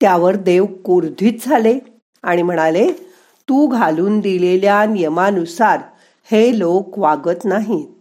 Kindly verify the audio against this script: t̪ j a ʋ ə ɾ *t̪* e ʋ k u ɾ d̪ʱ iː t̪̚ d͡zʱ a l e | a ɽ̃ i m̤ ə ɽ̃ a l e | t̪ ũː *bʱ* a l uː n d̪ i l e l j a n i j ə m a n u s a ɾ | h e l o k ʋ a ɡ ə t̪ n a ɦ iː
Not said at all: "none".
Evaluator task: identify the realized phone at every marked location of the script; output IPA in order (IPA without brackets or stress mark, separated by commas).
d̪, ɡʱ